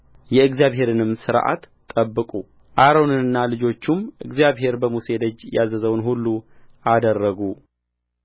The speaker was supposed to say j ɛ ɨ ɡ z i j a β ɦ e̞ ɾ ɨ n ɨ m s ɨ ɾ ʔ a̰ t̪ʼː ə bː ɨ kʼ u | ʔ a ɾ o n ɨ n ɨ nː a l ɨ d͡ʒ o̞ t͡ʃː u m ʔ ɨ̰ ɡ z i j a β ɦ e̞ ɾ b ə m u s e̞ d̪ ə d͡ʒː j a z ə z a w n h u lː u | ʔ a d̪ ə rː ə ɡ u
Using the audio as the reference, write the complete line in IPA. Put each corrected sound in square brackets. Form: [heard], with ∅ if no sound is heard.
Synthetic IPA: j ɛ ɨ ɡ z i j a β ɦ e̞ ɾ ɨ n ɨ m s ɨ ɾ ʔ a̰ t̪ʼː ə bː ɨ kʼ u | ʔ a ɾ o n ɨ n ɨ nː a l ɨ d͡ʒ o̞ t͡ʃː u m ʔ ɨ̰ ɡ z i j a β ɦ e̞ ɾ b ə m u s e̞ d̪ ə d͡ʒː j a z ə z [ə] w n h u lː u | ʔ a d̪ ə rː ə ɡ u